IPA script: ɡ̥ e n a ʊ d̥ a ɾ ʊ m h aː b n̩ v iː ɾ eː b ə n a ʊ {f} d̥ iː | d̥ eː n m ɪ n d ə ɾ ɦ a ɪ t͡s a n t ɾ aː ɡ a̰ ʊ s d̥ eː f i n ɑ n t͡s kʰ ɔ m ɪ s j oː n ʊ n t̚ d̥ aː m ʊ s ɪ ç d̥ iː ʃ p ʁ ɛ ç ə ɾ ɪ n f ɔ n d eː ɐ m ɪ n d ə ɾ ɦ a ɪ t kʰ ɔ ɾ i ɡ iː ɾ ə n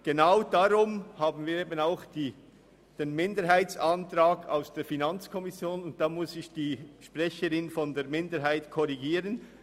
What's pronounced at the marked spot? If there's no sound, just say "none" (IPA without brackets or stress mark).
x